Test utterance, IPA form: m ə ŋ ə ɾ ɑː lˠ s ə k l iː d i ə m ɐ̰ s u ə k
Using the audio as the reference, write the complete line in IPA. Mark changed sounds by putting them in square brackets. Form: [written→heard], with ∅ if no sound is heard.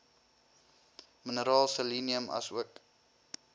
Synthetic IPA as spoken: m ə [ŋ→n] ə ɾ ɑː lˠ s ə [k→∅] l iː [d→n] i ə m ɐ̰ s u ə k